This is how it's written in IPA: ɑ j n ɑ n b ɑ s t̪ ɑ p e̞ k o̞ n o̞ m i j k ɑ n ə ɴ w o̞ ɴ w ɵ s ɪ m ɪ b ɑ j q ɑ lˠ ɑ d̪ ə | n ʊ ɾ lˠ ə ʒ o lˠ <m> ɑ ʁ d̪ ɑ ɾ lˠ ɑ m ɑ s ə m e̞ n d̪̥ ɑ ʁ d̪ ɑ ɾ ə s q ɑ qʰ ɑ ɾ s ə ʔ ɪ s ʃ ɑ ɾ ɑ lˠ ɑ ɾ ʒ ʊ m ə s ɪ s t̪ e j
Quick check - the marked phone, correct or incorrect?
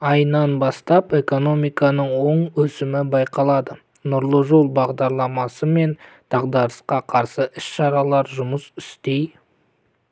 incorrect